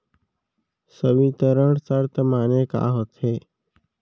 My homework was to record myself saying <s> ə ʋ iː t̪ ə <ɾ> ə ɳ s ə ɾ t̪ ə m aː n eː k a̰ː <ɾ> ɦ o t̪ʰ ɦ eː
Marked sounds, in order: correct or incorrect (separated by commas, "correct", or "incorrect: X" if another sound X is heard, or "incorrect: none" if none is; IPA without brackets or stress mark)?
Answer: correct, correct, incorrect: none